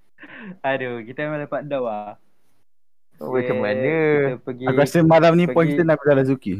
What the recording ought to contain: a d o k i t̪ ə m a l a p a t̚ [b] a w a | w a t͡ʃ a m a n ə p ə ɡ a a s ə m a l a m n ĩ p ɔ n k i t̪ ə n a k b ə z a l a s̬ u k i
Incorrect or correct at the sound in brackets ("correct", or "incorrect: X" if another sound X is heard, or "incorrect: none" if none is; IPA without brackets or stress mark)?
incorrect: d